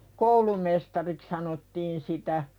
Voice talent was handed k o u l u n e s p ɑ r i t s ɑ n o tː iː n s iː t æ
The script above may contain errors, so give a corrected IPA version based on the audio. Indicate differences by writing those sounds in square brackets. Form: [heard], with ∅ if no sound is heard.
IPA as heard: k o u l u [m] e s [t] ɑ r i [k] s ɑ n o tː iː n s [i] t æ